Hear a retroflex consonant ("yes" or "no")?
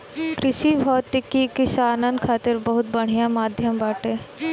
yes